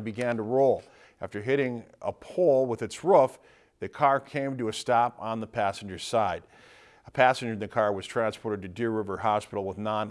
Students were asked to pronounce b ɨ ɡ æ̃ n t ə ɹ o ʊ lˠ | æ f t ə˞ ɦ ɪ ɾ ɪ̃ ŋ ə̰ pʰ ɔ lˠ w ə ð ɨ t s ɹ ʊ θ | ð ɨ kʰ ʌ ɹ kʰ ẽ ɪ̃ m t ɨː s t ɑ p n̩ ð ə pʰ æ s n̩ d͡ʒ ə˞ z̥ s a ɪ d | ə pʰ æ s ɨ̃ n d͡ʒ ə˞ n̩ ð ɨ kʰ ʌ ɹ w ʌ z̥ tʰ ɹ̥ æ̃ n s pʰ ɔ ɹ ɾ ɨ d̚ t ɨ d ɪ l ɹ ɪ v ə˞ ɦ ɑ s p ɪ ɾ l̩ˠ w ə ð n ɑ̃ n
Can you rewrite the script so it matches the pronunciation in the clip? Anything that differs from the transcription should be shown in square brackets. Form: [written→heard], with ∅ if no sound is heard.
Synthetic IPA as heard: b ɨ ɡ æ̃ n t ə ɹ o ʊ lˠ | æ f t ə˞ ɦ ɪ ɾ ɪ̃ ŋ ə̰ pʰ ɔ lˠ w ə ð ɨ t s ɹ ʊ [θ→f] | ð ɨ kʰ [ʌ→ɑ] ɹ kʰ ẽ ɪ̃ m t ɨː s t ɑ p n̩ ð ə pʰ æ s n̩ d͡ʒ ə˞ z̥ s a ɪ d | ə pʰ æ s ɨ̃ n d͡ʒ ə˞ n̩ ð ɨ kʰ [ʌ→ɑ] ɹ w ʌ z̥ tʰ ɹ̥ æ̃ n s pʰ ɔ ɹ ɾ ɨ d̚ t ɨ d ɪ [l→ɹ] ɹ ɪ v ə˞ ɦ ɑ s p ɪ ɾ l̩ˠ w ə ð n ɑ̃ n